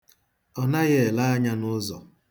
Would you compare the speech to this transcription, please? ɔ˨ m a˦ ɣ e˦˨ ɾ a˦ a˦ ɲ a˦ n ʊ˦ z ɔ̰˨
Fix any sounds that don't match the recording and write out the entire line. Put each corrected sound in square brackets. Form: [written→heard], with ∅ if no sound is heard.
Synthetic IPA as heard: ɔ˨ [m→n] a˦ ɣ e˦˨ [ɾ→l] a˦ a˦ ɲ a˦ n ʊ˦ z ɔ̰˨